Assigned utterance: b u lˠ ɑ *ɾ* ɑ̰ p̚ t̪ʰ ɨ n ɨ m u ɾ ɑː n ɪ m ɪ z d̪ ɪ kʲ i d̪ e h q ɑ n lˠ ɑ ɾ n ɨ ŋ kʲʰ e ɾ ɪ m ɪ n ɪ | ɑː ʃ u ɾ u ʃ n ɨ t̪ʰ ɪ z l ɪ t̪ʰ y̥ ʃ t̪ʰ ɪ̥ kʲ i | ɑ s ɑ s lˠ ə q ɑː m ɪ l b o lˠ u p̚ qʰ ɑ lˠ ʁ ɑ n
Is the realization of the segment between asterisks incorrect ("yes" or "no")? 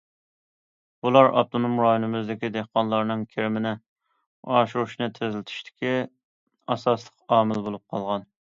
no